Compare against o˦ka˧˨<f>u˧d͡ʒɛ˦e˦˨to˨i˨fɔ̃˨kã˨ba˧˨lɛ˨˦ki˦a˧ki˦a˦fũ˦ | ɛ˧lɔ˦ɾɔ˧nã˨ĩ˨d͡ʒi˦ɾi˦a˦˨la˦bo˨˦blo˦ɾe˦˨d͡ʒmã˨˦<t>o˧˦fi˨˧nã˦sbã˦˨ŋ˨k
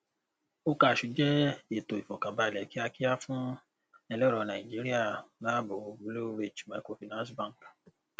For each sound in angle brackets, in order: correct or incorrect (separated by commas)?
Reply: incorrect, incorrect